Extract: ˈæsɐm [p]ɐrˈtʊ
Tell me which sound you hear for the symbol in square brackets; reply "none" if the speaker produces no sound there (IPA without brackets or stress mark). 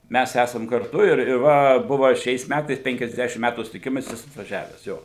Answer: k